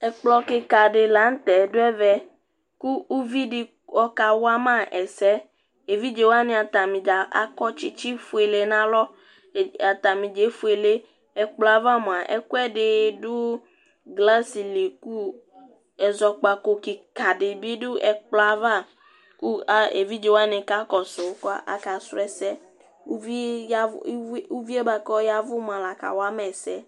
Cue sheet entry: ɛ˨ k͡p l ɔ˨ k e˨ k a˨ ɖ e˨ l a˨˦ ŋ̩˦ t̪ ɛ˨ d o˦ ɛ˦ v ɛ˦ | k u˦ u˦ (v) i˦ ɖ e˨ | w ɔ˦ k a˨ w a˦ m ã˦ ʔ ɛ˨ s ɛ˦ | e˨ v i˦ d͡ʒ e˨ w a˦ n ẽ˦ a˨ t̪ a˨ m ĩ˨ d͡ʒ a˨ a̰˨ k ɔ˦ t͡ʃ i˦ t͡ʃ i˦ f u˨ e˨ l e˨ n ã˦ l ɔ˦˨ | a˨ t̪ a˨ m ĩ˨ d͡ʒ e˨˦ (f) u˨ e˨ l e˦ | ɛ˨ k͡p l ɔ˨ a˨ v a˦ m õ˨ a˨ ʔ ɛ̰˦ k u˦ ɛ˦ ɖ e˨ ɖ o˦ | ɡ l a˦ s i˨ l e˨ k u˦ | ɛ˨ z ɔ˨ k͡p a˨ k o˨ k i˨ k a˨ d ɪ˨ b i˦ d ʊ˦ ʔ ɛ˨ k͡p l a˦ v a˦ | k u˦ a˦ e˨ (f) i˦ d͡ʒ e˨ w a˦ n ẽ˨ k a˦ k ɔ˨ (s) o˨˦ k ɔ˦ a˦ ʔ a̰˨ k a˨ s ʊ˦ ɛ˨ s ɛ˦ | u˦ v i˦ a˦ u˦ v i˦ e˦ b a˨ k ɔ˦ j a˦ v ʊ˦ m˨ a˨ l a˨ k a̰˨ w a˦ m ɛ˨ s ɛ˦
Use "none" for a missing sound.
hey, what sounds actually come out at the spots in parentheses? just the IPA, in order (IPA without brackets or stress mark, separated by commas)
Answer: v, f, v, s